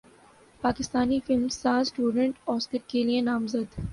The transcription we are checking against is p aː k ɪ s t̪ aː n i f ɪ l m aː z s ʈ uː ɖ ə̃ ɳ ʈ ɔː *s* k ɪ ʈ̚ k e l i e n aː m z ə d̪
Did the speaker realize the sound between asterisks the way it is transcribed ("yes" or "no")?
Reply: yes